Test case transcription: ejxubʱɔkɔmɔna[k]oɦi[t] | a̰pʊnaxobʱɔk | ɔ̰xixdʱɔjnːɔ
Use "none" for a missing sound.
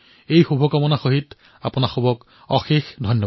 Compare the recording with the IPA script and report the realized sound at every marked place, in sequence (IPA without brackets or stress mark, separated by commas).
x, t